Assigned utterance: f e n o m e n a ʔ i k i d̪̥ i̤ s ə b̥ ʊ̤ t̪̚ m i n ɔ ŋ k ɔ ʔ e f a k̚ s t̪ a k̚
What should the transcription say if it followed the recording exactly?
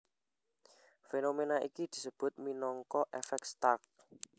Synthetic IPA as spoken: f e n o m e n a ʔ i k i d̪̥ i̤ s ə b̥ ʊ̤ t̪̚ m i n ɔ ŋ k ɔ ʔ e f ɛ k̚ s t̪ a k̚